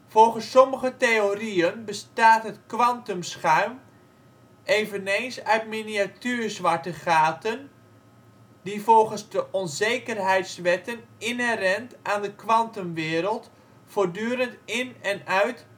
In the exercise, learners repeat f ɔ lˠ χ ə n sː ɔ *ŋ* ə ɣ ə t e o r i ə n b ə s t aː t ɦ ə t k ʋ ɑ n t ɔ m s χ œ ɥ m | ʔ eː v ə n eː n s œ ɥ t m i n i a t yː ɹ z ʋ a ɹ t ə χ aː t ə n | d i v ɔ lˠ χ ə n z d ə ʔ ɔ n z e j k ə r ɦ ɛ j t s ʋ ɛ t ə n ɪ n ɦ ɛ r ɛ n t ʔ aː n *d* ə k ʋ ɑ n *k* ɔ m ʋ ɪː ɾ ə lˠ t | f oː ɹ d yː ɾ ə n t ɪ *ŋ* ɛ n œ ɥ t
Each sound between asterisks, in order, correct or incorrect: incorrect, correct, incorrect, incorrect

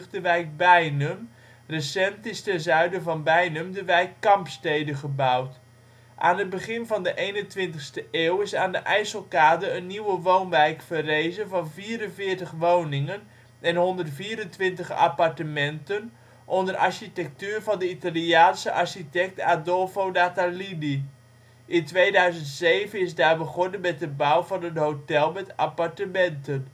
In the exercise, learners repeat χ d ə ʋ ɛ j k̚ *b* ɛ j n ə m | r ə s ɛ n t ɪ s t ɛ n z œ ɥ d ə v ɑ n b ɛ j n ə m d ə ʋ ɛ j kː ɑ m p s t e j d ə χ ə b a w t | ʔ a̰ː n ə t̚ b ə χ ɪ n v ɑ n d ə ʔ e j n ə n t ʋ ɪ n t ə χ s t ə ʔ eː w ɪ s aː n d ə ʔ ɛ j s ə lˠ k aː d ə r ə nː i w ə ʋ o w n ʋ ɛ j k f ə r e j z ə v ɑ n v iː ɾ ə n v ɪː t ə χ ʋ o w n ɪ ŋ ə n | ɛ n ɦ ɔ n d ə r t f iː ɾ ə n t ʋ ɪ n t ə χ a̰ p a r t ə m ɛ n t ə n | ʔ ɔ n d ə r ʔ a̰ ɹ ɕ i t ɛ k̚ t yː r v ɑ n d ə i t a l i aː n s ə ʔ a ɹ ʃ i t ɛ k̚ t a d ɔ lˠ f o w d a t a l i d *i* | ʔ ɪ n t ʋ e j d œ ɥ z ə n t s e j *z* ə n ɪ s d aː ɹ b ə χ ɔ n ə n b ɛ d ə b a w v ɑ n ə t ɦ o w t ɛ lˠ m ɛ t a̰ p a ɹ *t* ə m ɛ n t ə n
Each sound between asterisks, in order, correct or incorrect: correct, correct, incorrect, correct

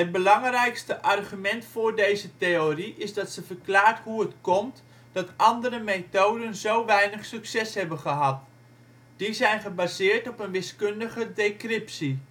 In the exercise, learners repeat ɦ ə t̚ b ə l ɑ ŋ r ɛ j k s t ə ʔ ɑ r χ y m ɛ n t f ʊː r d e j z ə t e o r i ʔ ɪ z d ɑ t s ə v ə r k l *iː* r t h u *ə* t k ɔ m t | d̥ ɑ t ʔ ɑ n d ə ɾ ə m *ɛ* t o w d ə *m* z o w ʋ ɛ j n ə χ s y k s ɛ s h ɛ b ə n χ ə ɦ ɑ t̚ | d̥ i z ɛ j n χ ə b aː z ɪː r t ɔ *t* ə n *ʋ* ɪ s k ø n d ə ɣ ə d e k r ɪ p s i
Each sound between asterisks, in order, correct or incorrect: incorrect, correct, incorrect, incorrect, incorrect, correct

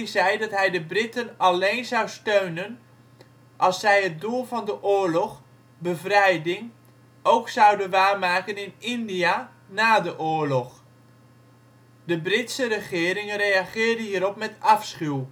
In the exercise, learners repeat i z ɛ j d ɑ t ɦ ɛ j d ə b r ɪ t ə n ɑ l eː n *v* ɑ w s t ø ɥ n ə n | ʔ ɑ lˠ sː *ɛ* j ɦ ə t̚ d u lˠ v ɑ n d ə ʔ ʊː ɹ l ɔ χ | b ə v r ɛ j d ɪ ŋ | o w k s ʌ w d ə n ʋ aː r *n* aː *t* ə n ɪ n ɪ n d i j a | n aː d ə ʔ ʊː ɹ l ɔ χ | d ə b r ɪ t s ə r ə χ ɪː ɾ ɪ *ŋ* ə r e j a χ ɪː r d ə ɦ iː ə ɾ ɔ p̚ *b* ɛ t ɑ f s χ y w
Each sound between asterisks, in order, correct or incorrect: incorrect, correct, incorrect, incorrect, correct, incorrect

